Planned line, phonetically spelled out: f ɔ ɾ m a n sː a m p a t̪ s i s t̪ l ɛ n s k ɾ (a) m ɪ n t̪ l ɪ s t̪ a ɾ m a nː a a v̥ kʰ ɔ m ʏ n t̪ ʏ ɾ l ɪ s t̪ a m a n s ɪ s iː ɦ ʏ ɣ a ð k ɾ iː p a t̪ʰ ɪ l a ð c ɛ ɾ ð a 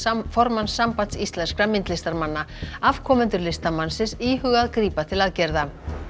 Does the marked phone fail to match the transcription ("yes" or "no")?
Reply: no